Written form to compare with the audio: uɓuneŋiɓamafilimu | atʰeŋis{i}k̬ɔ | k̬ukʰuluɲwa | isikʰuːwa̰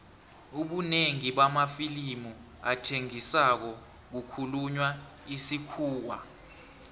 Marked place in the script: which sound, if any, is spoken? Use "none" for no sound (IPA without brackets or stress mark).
a